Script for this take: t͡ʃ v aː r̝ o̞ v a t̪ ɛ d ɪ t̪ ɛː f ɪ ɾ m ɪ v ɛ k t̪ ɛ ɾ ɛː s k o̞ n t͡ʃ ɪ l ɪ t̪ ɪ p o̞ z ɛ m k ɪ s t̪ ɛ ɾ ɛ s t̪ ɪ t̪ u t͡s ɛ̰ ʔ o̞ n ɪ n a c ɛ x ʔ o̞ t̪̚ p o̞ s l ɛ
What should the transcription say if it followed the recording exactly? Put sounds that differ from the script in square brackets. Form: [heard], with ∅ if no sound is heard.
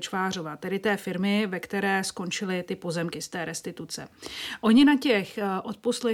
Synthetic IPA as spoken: t͡ʃ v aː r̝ o̞ v a t̪ ɛ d ɪ t̪ ɛː f ɪ ɾ m ɪ v ɛ k t̪ ɛ ɾ ɛː s k o̞ n t͡ʃ ɪ l ɪ t̪ ɪ p o̞ z ɛ m k ɪ s t̪ [ɛː] ɾ ɛ s t̪ ɪ t̪ u t͡s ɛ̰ ʔ o̞ [ɲ] ɪ n a c ɛ x ʔ o̞ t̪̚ p o̞ s l ɛ